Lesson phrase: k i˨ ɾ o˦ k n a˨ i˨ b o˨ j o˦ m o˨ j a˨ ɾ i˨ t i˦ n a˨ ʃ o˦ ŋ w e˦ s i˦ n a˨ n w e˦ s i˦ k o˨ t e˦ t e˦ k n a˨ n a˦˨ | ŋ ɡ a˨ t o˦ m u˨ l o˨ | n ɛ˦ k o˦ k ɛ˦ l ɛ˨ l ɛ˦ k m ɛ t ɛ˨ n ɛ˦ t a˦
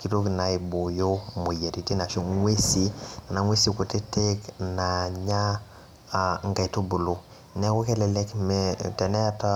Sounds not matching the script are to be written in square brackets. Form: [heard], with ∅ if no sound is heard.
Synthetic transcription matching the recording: k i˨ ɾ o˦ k n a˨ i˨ b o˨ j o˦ m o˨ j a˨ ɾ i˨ t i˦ n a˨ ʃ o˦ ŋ w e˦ s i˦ n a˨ [ŋ] w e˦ s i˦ k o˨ t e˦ t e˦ k n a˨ [ɲ] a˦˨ | ŋ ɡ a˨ t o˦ [b] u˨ l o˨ | n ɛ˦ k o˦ k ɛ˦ l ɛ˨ l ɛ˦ k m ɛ t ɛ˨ n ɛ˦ t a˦

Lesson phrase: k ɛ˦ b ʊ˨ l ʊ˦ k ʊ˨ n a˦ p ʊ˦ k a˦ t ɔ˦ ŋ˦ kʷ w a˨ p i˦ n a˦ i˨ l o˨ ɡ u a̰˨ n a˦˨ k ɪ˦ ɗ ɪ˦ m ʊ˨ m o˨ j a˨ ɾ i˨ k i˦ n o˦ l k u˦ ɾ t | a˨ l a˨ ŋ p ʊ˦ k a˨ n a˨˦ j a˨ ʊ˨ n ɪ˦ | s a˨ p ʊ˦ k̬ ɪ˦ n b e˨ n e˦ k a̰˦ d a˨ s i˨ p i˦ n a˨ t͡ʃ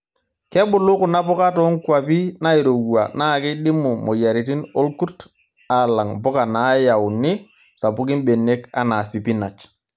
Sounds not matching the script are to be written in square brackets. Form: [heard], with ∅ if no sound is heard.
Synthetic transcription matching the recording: k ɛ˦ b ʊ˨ l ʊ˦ k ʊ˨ n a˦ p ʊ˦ k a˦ t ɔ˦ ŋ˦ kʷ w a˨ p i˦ n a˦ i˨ [ɾ] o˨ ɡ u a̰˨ n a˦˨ k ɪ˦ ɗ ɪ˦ m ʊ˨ m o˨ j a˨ ɾ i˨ [t] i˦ n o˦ l k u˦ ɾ t | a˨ l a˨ ŋ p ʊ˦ k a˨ n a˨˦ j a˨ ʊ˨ n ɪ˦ | s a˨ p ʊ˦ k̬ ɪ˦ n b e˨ n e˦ k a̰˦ [n] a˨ s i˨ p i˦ n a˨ t͡ʃ

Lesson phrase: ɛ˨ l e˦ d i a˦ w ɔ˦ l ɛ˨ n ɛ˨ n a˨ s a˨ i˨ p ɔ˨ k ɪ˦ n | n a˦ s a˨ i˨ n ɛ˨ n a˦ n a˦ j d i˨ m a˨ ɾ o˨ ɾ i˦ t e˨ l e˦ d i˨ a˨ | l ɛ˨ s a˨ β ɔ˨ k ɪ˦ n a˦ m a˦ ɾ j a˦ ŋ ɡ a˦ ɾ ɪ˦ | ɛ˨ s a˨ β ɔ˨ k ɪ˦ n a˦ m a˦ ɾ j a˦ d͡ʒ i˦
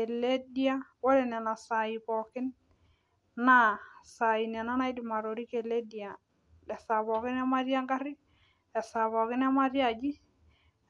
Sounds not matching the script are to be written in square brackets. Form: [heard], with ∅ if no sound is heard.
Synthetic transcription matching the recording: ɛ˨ l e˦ d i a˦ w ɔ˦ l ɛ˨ n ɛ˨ n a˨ s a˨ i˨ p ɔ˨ k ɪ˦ n | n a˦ s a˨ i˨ n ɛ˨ n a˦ n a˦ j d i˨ m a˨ ɾ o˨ ɾ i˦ [k] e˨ l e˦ d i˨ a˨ | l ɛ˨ s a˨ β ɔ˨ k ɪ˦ n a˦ m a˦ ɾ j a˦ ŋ ɡ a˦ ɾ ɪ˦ | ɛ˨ s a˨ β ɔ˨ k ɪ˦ n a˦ m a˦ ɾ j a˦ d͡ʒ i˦

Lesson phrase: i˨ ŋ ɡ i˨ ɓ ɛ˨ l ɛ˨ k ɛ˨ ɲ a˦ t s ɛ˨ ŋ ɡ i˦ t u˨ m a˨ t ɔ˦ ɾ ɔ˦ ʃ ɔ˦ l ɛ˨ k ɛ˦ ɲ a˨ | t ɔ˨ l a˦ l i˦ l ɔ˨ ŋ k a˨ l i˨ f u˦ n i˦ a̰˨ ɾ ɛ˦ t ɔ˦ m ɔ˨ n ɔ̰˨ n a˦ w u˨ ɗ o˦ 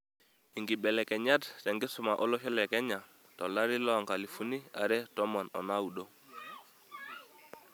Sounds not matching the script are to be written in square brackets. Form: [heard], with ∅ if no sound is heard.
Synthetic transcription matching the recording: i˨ ŋ ɡ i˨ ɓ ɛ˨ l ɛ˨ k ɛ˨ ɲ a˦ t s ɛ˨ ŋ ɡ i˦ [s] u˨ m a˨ [ʔ] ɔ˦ [l] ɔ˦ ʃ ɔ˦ l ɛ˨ k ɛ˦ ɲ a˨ | t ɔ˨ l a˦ [ɾ] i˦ l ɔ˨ ŋ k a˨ l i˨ f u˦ n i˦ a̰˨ ɾ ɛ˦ t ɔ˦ m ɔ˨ n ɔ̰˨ n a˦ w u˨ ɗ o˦

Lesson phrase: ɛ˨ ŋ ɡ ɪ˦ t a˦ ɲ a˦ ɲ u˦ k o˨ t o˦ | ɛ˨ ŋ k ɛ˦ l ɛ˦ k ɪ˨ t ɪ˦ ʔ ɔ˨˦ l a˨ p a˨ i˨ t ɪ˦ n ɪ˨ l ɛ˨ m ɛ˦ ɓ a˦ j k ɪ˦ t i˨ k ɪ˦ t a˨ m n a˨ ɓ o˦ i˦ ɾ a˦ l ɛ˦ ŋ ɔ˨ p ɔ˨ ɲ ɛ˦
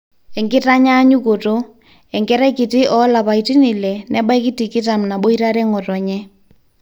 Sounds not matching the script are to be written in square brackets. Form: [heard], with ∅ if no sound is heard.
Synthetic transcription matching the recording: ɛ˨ ŋ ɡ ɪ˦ t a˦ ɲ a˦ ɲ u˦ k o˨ t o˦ | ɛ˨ ŋ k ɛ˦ [ɾ] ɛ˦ k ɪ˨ t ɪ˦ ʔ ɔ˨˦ l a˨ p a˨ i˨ t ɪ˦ n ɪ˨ l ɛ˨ [n] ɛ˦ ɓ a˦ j k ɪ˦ t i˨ k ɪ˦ t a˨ m n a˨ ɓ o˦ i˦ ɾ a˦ [ɾ] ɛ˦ ŋ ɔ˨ [t] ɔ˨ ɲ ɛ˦

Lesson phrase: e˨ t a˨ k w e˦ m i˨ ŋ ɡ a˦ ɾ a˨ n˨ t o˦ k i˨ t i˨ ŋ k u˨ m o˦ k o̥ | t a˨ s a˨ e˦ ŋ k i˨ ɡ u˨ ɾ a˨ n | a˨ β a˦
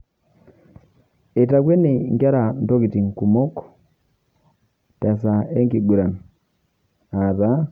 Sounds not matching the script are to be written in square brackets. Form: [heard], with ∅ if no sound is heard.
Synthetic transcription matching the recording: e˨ t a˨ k w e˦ [n] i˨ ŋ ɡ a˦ ɾ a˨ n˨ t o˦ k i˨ t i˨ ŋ k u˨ m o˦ k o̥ | t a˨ s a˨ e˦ ŋ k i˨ ɡ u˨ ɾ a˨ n | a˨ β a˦

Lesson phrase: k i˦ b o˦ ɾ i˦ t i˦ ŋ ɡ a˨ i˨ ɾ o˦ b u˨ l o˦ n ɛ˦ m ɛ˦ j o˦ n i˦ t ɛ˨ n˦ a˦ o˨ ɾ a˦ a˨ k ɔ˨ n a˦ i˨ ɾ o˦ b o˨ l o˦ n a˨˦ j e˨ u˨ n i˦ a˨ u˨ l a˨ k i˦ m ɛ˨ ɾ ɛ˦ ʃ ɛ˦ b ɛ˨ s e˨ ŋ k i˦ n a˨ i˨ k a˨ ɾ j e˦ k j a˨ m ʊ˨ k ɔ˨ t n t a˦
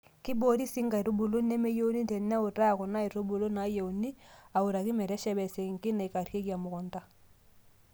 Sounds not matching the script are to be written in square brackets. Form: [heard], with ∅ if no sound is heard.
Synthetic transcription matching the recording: k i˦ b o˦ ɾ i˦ [s] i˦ ŋ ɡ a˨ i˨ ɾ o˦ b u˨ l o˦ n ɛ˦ m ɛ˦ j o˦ n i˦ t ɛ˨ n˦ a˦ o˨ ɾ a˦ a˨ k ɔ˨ n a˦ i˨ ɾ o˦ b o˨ l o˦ n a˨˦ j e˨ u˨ n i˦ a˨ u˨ [ɾ] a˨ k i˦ m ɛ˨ ɾ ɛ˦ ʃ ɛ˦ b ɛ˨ s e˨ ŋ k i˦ n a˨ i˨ k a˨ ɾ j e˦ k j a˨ m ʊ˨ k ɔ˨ [∅] n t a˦

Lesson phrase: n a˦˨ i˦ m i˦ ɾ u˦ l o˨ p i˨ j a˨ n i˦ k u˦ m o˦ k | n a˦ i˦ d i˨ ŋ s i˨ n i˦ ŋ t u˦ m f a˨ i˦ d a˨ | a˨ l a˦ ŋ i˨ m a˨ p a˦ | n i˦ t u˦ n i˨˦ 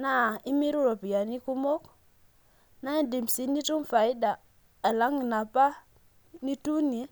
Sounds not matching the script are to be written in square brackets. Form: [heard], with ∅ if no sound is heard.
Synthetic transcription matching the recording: n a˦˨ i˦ m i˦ ɾ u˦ [ɾ] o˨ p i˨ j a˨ n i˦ k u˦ m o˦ k | n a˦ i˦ d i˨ [m] s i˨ n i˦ [∅] t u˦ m f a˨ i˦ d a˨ | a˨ l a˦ ŋ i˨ [n] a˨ p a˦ | n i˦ t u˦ n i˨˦

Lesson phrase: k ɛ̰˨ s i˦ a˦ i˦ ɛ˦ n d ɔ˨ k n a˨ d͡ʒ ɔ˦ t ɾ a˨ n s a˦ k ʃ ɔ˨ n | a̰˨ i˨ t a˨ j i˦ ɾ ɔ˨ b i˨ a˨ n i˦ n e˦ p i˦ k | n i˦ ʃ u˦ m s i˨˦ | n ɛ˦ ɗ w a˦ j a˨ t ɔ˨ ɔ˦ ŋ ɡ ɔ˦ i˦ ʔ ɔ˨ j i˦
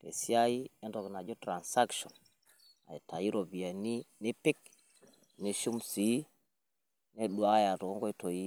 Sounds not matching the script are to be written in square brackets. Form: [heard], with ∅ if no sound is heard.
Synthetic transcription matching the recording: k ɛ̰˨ s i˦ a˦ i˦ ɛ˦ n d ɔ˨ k n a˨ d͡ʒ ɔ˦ t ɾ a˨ n s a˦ k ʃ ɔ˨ n | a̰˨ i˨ t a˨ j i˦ ɾ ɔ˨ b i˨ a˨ n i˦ n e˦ p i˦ k | n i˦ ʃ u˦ m s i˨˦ | n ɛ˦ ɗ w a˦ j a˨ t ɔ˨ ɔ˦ ŋ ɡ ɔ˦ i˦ [t] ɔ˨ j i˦

